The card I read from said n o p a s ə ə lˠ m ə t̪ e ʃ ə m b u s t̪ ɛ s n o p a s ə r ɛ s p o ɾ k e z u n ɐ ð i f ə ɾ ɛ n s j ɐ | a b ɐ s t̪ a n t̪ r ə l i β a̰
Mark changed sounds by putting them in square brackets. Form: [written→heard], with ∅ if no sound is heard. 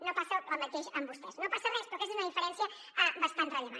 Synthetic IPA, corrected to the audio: n o p a s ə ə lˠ m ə t̪ e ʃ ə m b u s t̪ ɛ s n o p a s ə r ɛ s p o ɾ k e z u n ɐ ð i f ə ɾ ɛ n s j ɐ | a b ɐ s t̪ a n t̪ r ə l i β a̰

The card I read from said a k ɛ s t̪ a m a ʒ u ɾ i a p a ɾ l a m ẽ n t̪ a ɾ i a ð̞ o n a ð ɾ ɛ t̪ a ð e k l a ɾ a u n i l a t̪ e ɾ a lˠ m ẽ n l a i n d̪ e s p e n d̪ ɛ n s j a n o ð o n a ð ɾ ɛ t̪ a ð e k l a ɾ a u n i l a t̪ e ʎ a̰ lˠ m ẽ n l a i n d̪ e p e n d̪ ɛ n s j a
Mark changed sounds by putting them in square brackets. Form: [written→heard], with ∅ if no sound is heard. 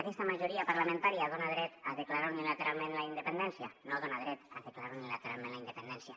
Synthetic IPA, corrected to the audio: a k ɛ s t̪ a m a ʒ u ɾ i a p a ɾ l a m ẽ n t̪ a ɾ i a ð̞ o n a ð ɾ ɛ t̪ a ð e k l a ɾ a u n i l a t̪ e ɾ a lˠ m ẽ n l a i n d̪ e [s→∅] p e n d̪ ɛ n s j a n o ð o n a ð ɾ ɛ t̪ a ð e k l a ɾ a u n i l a t̪ e [ʎ→ɾ] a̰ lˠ m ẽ n l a i n d̪ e p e n d̪ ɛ n s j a

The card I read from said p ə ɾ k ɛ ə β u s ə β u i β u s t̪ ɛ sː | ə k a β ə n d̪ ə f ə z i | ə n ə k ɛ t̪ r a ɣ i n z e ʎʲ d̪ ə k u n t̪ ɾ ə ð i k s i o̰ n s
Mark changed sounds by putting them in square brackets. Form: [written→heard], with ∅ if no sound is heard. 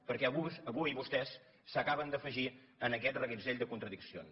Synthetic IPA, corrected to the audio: p ə ɾ k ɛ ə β u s ə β u i β u s t̪ ɛ sː | ə k a β ə n d̪ ə f ə [z→ʒ] i | ə n ə k ɛ t̪ r [a→ə] ɣ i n z e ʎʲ d̪ ə k u n t̪ ɾ ə ð i k s i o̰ n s

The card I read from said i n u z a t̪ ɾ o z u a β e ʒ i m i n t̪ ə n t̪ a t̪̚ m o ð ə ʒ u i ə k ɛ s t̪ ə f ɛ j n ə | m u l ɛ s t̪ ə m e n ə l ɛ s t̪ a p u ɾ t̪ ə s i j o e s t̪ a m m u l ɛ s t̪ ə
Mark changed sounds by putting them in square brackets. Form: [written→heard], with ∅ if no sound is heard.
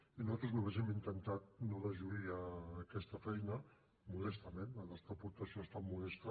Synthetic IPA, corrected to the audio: i n u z a t̪ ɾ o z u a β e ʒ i m i n t̪ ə n t̪ a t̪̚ [m→n] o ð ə ʒ u i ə k ɛ s t̪ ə f ɛ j n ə | m u l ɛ s t̪ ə m e n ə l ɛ s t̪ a p u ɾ t̪ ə s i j o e s t̪ a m m u l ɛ s t̪ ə

